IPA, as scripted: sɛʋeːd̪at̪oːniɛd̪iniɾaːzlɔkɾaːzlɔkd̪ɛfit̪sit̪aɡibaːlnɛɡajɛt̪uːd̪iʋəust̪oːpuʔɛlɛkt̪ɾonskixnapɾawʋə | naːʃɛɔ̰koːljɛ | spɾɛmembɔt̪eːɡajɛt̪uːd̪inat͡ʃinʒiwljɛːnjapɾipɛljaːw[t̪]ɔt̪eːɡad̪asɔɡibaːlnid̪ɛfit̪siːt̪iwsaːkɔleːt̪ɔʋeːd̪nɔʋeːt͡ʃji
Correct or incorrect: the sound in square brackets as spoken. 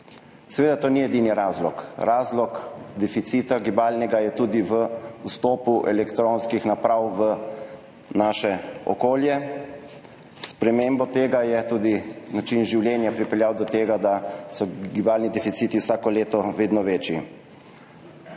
incorrect: d̪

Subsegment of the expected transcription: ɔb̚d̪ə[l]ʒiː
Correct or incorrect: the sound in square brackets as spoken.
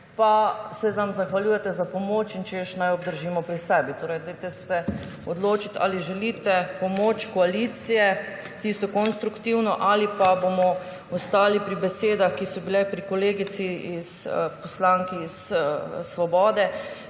incorrect: ɾ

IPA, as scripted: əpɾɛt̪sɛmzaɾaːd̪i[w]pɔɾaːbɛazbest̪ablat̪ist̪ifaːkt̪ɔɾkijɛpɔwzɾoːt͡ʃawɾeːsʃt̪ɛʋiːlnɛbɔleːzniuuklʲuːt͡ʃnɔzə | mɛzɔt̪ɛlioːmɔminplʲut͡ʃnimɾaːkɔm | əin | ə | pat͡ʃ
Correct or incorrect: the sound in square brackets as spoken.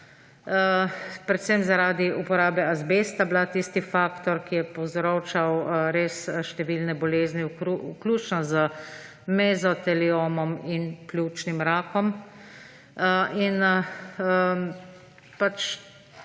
incorrect: u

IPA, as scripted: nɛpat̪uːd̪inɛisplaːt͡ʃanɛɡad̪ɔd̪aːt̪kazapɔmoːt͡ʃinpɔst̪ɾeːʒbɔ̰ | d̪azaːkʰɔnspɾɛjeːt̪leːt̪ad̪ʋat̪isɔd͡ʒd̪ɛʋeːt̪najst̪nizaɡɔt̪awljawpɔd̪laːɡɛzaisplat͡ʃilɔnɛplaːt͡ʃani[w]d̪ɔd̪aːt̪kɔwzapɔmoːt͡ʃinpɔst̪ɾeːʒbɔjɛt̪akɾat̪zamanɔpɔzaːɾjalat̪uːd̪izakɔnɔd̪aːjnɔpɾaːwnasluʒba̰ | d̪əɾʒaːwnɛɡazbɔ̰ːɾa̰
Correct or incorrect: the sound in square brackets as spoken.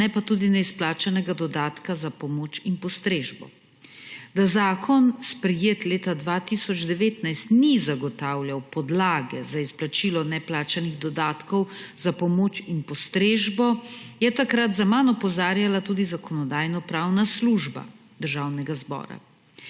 incorrect: ɣ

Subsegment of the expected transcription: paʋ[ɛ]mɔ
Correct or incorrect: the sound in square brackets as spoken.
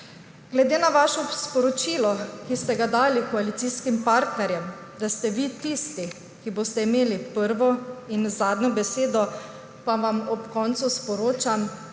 incorrect: a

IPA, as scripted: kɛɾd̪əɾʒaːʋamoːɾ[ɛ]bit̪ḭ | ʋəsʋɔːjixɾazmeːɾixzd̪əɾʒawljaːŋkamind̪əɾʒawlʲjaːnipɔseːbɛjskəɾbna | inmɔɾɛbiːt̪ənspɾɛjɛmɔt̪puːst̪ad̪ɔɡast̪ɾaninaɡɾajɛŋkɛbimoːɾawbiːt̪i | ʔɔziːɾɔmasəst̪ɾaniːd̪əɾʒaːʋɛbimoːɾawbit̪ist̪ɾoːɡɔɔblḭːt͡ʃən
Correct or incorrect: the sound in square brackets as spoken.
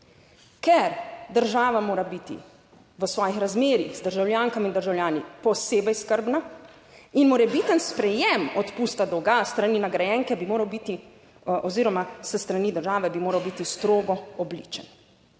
incorrect: a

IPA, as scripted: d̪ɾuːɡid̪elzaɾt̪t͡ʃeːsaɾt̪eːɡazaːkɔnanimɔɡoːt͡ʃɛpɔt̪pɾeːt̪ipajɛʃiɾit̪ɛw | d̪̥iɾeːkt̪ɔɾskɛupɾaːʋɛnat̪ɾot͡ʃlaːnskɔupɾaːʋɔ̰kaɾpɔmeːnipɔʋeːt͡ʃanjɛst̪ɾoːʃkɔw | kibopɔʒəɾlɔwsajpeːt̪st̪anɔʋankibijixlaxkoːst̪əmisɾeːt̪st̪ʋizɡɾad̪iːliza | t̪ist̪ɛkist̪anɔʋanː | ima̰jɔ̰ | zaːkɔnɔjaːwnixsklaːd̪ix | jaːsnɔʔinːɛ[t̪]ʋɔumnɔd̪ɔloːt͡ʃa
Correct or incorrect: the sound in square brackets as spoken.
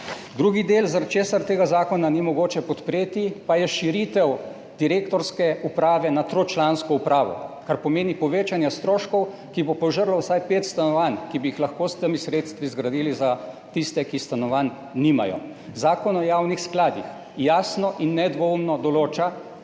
incorrect: d̪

